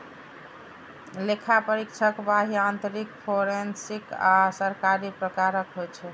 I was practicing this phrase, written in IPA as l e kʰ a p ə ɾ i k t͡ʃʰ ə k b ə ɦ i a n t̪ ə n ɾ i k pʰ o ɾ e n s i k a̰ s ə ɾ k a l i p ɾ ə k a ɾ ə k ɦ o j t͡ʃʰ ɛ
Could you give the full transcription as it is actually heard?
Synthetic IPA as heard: l e kʰ a p ə ɾ i k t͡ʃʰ ə k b a ɦ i a n t̪ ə ɾ i k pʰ o ɾ e n s i k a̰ s ə ɾ k a ɾ i p ɾ ə k a ɾ ə k ɦ o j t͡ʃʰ ɛ

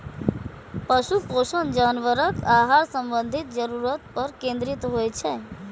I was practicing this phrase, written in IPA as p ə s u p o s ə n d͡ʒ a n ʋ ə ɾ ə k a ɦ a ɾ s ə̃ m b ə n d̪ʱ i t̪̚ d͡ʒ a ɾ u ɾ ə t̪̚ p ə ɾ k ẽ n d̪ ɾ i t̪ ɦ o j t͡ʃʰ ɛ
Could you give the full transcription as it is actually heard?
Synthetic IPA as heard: p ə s u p o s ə n d͡ʒ a n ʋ ə ɾ ə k a ɦ a ɾ s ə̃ m b ə n d̪ʱ i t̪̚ d͡ʒ ə ɾ u ɾ ə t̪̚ p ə ɾ k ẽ n d̪ ɾ i t̪ ɦ o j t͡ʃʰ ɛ

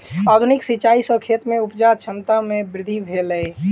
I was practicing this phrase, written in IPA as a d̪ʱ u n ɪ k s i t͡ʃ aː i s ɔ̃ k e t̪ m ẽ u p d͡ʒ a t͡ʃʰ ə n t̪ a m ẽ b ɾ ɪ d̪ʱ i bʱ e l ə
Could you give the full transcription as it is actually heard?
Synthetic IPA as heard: a d̪ʱ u n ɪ k s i t͡ʃ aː i s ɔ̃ kʰ e t̪ m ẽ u p d͡ʒ a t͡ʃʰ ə n t̪ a m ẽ b ɾ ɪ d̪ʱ i bʱ e l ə

